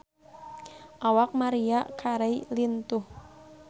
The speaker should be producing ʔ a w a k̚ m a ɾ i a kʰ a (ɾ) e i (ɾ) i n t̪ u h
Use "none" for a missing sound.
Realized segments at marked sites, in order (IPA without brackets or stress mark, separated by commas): ɾ, l